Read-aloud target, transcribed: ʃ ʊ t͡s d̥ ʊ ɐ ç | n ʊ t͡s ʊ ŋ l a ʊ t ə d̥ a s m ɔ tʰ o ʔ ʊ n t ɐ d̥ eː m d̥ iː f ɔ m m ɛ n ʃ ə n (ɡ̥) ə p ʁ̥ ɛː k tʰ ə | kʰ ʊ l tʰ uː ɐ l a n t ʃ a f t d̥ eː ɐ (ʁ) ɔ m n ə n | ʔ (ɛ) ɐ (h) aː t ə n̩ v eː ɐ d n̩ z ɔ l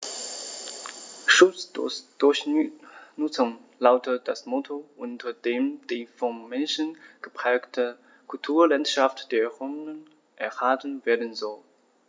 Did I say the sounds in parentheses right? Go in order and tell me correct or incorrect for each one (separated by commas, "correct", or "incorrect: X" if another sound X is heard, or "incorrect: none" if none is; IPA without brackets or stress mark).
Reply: correct, correct, correct, correct